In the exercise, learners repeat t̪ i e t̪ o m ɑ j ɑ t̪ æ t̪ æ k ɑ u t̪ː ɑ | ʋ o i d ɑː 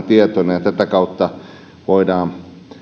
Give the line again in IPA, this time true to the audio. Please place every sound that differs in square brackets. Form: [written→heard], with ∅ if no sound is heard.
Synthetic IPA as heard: t̪ i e t̪ o [m→n] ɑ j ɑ t̪ æ t̪ æ k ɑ u t̪ː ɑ | ʋ o i d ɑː

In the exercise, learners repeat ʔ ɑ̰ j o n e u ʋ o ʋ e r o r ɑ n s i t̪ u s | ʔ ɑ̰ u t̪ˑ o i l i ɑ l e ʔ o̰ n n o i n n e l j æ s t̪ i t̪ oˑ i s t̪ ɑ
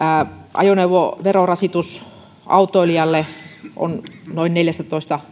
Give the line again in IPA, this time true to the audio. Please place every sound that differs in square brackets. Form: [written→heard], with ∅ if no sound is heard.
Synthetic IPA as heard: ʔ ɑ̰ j o n e u ʋ o ʋ e r o r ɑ [n→∅] s i t̪ u s | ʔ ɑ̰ u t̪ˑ o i l i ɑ [l→lː] e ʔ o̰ n n o i n n e l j æ s t̪ [i→æ] t̪ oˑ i s t̪ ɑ

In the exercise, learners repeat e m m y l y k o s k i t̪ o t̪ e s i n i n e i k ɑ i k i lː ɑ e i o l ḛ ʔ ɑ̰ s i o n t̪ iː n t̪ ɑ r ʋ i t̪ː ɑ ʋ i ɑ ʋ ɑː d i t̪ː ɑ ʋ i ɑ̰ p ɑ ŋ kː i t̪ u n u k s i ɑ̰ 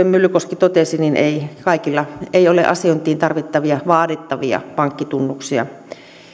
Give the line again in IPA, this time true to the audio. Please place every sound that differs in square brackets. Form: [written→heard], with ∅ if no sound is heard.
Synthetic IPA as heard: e m m y l y k o s k i t̪ o t̪ e s i n i n e i k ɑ i k i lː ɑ e i o l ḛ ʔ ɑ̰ s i o n t̪ iː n t̪ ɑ r ʋ i t̪ː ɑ ʋ i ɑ ʋ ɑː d i t̪ː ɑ ʋ i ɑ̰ p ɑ ŋ kː i t̪ u [n→nː] u k s i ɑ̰

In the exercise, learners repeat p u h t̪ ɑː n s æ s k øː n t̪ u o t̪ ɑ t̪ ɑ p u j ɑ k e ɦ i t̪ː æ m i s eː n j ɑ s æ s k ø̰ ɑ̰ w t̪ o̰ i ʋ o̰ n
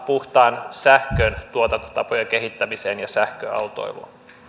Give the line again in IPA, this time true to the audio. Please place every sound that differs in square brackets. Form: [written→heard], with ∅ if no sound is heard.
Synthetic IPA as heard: p u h t̪ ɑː n s æ [s→h] k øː n t̪ u o t̪ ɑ t̪ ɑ p [u→o] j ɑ k e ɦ i t̪ː æ m i s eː n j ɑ s æ [s→h] k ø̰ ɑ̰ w t̪ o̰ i ʋ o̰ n

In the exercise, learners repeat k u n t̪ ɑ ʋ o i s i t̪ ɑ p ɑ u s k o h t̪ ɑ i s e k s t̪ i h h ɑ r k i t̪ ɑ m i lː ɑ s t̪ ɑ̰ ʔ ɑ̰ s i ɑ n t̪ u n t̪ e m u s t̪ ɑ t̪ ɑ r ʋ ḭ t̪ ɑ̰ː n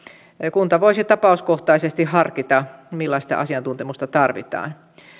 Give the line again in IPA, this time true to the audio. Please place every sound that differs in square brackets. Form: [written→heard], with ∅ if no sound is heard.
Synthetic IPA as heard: k u n t̪ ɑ ʋ o i s i t̪ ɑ p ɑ u s k o h t̪ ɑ i s e [k→∅] s t̪ i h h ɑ r k i t̪ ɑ m i lː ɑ s t̪ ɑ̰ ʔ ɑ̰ s i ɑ n t̪ u n t̪ e m u s t̪ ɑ t̪ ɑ r ʋ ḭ t̪ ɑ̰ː n

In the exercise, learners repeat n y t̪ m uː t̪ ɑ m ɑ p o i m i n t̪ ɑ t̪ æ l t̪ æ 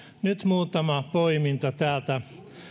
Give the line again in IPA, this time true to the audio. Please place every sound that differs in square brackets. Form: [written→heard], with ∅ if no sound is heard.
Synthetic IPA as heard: n y t̪ m uː t̪ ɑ m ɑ p o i m i n t̪ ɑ t̪ [æ→æː] l t̪ æ

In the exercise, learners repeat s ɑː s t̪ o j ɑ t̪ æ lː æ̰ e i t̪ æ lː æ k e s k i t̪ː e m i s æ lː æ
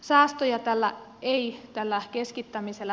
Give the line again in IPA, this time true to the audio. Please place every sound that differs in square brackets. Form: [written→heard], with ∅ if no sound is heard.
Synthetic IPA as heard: s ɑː s t̪ o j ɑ t̪ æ lː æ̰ e i t̪ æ lː æ k e s k i t̪ː [e→æ] m i s [æ→e] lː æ

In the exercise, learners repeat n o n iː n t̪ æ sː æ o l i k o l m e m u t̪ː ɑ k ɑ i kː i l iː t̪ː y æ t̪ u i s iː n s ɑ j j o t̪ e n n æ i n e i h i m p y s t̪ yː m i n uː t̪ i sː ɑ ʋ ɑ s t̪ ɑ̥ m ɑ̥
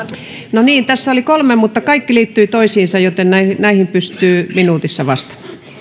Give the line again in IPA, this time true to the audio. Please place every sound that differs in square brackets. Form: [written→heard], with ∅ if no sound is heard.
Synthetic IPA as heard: n o n iː n t̪ æ sː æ o l i k o l m e m u t̪ː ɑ k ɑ i kː i l iː t̪ː y [æ→i] t̪ [u→o] i s iː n s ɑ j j o t̪ e n n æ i n [e→æ] i h i m p y s t̪ yː m i n uː t̪ i sː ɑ ʋ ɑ s t̪ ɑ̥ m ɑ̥

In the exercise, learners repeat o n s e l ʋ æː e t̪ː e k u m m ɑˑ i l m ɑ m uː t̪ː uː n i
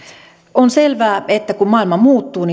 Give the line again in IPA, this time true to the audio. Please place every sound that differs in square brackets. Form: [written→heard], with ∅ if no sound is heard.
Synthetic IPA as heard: o n s e l ʋ æː e t̪ː [e→æ] k u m m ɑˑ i l m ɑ m uː t̪ː uː n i

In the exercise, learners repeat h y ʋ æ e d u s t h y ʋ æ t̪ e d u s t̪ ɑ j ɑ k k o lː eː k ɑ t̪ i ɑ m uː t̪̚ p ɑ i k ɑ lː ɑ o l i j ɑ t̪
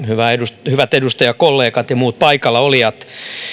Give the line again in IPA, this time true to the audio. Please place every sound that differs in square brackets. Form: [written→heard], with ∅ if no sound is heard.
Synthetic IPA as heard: h y ʋ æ e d u s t h y ʋ æ t̪ e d u s t̪ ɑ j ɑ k k o lː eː k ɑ t̪ [i→j] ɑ m uː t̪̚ p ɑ i k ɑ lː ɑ o l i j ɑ t̪

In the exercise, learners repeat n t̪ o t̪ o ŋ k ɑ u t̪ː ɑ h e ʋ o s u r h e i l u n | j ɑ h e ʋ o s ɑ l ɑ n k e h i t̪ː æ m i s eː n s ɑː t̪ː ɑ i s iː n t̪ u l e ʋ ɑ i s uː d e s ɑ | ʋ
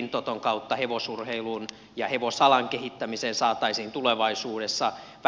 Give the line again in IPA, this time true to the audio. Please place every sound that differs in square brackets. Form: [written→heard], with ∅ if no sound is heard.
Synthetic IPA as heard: n t̪ o t̪ o ŋ k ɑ u t̪ː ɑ h e ʋ o s u r h e i l u n | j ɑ h e ʋ o s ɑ l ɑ [n→ŋ] k e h i t̪ː æ m i s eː n s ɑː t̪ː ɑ i s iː n t̪ u l e ʋ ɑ i s uː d e [s→sː] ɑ | ʋ

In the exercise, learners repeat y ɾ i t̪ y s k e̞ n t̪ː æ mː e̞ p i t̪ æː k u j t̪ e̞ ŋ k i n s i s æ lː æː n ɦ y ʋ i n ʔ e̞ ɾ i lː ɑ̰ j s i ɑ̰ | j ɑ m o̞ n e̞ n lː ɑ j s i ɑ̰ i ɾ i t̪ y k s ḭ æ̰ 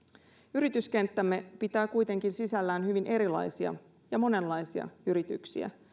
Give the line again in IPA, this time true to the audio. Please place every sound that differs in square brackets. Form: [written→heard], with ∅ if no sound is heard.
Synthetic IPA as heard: y ɾ i t̪ y s k e̞ n t̪ː æ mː e̞ p i t̪ æː k u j t̪ e̞ ŋ k i n s i s æ lː æː n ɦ y ʋ i n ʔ e̞ ɾ i [lː→l] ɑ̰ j s i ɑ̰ | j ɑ m o̞ n e̞ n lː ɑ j s i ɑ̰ [i→y] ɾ i t̪ y k s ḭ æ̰

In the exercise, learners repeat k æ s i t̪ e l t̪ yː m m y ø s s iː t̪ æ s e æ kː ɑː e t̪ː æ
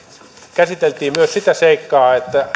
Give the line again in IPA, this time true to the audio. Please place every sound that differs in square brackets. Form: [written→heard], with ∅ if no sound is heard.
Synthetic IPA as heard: k æ s i t̪ e l t̪ [yː→iː] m m y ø s s [iː→i] t̪ æ s e [æ→i] kː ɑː e t̪ː æ

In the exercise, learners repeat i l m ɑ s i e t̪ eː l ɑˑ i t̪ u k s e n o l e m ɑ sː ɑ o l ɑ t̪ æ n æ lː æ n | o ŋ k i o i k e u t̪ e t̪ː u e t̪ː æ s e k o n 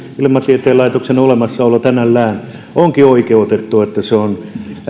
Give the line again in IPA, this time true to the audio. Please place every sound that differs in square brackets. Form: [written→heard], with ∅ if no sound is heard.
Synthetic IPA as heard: i l m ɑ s i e t̪ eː l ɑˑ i t̪ [u→o] k s e n o l e m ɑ sː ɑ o l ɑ t̪ æ n æ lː [æ→æː] n | o ŋ k i o i k e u t̪ e t̪ː u e t̪ː æ s e [k→∅] o n

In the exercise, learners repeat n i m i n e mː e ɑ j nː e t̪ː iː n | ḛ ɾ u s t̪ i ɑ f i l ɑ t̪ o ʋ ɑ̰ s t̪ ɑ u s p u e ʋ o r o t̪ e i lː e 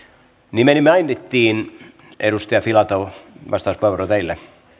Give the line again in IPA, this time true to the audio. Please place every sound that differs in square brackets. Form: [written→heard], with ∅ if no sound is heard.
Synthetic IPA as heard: n i m [i→e] n [e→i] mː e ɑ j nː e t̪ː iː n | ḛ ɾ u s t̪ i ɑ f i l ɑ t̪ o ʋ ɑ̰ s t̪ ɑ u s p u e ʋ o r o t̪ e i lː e

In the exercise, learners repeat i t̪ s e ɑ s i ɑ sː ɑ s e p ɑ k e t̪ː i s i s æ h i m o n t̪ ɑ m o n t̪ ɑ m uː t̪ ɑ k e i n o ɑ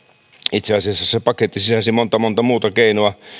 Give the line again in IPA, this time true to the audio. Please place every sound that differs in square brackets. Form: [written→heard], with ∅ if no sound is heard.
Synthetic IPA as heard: i t̪ s e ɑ s i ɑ sː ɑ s e p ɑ k e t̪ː i s i s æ [h→s] i m o n t̪ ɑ m o n t̪ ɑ m uː t̪ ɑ k e i n o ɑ

